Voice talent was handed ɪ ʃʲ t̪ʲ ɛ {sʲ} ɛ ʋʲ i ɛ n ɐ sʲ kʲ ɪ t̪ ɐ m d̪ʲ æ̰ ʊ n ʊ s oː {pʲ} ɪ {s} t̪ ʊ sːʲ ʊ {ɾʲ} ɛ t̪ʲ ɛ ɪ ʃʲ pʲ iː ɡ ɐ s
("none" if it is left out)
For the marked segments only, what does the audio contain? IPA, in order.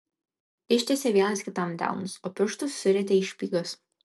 sʲ, pʲ, ʃ, ɾʲ

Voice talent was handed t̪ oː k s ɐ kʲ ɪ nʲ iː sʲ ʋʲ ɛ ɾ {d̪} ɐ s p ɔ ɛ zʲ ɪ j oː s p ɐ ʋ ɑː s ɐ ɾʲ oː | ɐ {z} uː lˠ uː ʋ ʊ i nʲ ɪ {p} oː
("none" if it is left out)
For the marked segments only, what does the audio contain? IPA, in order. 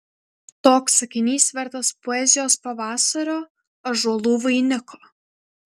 t̪, ʒ, k

